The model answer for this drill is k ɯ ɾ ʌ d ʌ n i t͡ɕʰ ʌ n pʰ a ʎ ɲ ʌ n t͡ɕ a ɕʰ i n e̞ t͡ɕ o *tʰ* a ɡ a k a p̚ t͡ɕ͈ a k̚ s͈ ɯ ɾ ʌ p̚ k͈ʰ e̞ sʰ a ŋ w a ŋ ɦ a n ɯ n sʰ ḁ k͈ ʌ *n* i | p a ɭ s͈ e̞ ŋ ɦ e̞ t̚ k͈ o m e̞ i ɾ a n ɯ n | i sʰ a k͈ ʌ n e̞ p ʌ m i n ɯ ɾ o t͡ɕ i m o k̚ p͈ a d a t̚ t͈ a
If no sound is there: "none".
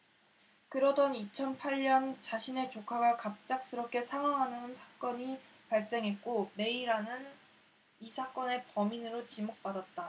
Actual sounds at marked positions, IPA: kʰ, ɲ

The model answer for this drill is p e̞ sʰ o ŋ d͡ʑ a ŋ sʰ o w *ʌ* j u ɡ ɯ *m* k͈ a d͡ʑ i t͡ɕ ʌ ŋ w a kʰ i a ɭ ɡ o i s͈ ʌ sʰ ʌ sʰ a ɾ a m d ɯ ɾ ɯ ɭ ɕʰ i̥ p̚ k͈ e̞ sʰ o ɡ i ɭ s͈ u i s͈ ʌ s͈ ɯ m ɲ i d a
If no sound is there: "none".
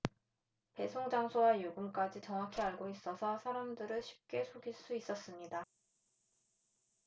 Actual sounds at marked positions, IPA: a, m

